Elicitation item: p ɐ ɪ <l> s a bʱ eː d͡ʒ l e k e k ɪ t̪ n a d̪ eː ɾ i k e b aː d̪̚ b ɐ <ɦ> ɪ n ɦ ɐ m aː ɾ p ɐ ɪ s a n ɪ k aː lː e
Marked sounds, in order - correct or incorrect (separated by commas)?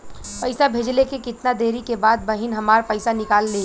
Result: incorrect, correct